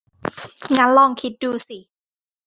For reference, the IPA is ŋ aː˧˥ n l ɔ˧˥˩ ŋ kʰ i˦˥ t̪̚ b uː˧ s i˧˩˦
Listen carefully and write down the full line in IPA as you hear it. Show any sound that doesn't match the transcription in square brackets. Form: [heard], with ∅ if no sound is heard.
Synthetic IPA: ŋ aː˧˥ n l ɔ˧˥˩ ŋ kʰ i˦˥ t̪̚ [d] uː˧ s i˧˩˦